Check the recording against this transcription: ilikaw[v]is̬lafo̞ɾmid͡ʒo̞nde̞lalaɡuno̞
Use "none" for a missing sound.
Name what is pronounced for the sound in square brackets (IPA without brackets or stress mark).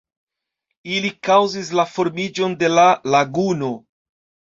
z